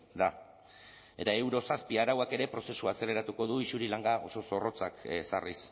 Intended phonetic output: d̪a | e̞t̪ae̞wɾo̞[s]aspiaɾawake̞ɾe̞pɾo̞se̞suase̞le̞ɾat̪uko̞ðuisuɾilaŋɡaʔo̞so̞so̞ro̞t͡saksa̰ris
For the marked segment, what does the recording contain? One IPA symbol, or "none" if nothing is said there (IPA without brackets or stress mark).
s